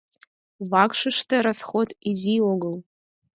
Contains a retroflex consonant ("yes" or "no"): yes